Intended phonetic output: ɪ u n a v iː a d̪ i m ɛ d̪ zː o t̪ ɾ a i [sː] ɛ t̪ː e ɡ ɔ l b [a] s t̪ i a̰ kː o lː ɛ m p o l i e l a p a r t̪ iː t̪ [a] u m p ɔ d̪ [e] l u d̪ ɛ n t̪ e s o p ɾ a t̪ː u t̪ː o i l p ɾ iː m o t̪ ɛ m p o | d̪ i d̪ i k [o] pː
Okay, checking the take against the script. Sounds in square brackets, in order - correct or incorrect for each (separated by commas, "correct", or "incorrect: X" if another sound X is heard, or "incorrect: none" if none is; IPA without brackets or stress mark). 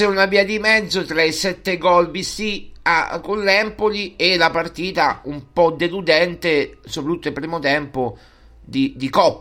incorrect: s, incorrect: i, correct, correct, incorrect: ɔ